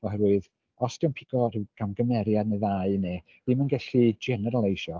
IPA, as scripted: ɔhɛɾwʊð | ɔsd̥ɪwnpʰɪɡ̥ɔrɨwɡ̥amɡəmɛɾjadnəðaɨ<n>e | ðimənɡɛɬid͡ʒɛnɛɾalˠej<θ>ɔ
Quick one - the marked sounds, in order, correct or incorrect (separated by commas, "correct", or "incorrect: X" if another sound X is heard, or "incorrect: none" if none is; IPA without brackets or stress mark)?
correct, incorrect: ʃ